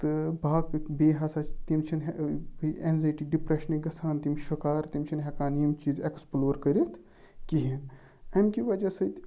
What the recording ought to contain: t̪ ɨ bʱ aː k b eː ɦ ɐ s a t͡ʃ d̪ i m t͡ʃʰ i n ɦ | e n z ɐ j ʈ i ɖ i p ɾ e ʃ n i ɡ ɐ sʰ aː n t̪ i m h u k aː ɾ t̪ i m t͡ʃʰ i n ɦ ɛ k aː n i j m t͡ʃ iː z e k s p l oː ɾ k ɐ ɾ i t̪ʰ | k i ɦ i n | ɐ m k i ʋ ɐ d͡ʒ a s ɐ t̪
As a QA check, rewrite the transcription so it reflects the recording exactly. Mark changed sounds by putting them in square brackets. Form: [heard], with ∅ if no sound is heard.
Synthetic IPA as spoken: t̪ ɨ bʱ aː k b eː ɦ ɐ s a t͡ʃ [t̪] i m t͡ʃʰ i n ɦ | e n z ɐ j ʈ i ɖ i p ɾ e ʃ n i ɡ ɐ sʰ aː n t̪ i m [ʃ] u k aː ɾ t̪ i m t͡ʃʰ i n ɦ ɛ k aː n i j m t͡ʃ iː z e k s p l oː ɾ k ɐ ɾ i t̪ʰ | k i ɦ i n | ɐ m k i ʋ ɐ d͡ʒ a s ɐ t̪